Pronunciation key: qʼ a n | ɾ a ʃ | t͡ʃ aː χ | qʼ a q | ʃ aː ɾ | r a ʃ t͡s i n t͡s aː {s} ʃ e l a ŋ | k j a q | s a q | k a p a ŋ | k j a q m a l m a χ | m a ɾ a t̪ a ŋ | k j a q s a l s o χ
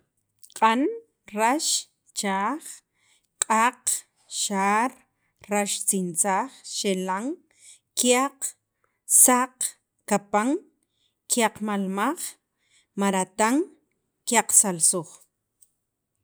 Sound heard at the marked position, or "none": χ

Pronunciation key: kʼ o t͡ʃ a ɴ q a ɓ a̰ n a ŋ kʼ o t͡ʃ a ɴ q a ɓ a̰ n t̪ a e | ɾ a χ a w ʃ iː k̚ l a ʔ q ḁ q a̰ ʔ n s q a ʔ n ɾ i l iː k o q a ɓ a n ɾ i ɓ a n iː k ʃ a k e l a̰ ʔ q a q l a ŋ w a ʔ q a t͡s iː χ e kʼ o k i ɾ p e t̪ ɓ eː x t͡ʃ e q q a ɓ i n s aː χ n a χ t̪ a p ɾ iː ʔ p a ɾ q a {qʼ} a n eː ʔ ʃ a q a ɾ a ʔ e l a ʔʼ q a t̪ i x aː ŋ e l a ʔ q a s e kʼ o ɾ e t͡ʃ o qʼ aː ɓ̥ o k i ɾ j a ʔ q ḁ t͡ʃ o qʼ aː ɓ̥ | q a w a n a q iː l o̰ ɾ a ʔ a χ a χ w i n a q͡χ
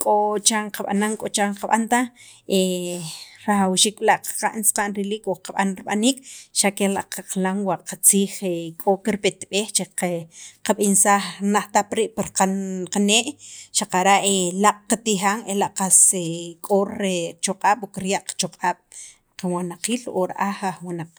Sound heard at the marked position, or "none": q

